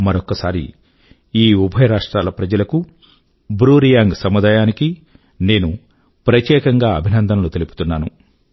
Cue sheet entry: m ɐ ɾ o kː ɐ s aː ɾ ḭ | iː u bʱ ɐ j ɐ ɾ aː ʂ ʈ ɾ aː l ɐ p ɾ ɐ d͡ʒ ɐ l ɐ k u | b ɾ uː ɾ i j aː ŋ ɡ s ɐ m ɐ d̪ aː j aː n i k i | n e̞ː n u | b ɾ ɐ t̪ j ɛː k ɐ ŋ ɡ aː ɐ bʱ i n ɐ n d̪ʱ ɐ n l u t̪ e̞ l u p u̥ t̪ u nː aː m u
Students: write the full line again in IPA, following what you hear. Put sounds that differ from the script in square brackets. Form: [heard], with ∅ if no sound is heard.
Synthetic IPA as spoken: m ɐ ɾ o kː ɐ s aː ɾ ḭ | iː u bʱ ɐ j ɐ ɾ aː ʂ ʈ ɾ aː l ɐ p ɾ ɐ d͡ʒ ɐ l ɐ k u | b ɾ uː ɾ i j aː ŋ ɡ s ɐ m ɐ d̪ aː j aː n i k i | n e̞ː n u | [p] ɾ ɐ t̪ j ɛː k ɐ ŋ ɡ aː ɐ bʱ i n ɐ n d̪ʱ ɐ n l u t̪ e̞ l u p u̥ t̪ u nː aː [n] u